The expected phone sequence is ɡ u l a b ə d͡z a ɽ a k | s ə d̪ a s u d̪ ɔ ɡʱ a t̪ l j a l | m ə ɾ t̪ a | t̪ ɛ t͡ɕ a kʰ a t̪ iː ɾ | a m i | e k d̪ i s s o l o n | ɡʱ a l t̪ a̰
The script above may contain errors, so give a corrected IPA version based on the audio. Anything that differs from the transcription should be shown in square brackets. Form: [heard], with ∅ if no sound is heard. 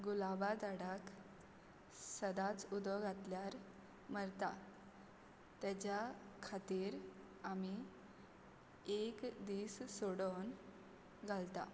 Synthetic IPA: ɡ u l a b [a] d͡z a ɽ a k | s ə d̪ a [t͡s] u d̪ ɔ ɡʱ a t̪ l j a [ɾ] | m ə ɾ t̪ a | t̪ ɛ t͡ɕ a kʰ a t̪ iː ɾ | a m i | e k d̪ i s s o [ɽ] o n | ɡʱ a l t̪ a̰